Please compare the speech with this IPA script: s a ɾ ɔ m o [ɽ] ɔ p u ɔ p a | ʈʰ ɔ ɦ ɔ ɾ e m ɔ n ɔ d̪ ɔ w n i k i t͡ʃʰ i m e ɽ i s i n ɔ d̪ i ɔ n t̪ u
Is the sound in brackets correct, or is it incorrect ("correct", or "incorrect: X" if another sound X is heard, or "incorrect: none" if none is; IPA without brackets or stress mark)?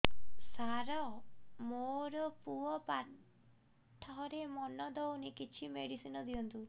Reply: incorrect: ɾ